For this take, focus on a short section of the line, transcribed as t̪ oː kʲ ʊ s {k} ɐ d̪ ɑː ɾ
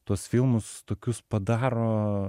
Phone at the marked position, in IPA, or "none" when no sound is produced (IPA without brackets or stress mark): p